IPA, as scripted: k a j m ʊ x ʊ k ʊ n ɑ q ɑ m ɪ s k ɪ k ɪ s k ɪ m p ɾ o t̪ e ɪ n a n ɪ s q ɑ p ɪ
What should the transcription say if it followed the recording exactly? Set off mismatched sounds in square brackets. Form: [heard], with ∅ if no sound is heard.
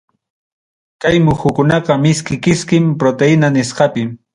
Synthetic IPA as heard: k a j m ʊ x ʊ k ʊ n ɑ q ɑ m ɪ s k ɪ k ɪ s k ɪ m p ɾ o t̪ e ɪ n a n ɪ s q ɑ p ɪ

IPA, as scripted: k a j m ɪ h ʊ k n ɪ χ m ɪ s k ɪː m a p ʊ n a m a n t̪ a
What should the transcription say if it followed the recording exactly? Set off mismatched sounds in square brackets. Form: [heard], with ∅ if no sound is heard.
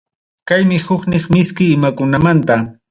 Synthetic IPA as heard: k a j m ɪ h ʊ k n ɪ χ m ɪ s k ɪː m a [k] ʊ n a m a n t̪ a

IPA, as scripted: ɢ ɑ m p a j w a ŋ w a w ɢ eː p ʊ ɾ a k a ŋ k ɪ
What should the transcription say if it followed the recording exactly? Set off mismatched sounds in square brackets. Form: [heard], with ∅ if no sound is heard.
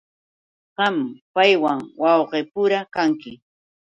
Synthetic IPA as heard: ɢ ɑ m p a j w a ŋ w [ɑ] w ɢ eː p ʊ ɾ a k a ŋ k ɪ

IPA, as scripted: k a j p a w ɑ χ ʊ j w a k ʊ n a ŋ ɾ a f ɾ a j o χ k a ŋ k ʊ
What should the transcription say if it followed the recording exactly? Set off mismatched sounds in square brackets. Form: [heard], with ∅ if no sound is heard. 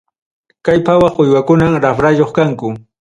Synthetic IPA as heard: k a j p a w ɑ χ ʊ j w a k ʊ n a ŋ ɾ a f ɾ a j o χ k a ŋ k ʊ

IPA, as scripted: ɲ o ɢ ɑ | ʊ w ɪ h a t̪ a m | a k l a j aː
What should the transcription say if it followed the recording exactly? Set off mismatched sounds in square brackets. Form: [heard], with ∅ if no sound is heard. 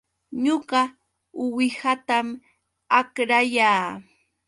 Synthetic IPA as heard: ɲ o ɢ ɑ | ʊ w ɪ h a t̪ a m | a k [ɾ] a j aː

